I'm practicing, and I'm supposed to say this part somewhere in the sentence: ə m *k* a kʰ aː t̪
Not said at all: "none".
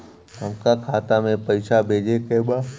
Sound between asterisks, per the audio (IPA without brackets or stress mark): k